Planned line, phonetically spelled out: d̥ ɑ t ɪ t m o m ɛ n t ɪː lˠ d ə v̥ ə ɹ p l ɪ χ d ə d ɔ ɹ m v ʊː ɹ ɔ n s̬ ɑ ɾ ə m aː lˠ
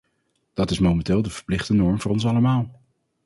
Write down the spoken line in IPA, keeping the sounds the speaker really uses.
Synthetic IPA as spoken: d̥ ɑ t ɪ s m o m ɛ n t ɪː lˠ d ə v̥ ə ɹ p l ɪ χ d ə n ɔ ɹ m v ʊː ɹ ɔ n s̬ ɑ l ə m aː lˠ